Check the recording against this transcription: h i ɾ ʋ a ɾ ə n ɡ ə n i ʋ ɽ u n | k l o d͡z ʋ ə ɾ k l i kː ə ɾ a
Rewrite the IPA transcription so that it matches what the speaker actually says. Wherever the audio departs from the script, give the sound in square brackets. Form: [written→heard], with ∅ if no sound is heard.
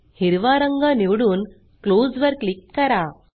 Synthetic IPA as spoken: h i ɾ ʋ a ɾ ə [n→ŋ] ɡ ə n i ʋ ɽ [u→uː] n | k l o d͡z ʋ ə ɾ k l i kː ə ɾ a